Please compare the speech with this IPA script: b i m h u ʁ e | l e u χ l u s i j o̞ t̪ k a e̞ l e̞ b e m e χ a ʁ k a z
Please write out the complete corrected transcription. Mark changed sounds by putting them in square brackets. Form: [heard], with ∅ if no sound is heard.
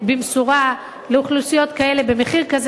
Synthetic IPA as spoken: b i m [s] u ʁ [a] | l e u χ l u s i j o̞ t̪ k a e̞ l e̞ b e m e χ [i] ʁ k a z